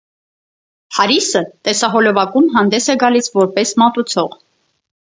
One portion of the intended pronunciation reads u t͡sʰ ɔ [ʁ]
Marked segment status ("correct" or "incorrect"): correct